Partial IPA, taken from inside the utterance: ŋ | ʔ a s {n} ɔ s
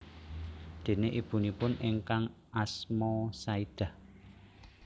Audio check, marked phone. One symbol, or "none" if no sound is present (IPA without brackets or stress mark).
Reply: m